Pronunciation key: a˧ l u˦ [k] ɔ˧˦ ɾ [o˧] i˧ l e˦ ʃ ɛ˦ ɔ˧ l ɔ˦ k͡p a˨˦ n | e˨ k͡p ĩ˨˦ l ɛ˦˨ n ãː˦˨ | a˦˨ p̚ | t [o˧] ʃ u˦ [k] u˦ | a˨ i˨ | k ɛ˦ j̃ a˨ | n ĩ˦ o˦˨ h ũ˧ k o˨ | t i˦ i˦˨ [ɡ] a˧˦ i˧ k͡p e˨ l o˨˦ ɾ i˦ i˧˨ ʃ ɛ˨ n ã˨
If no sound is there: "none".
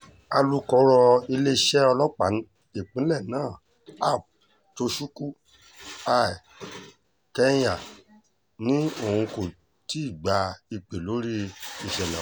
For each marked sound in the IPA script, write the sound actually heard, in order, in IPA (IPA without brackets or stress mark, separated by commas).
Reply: k, ɔ˧, o˧, k, ɡ͡b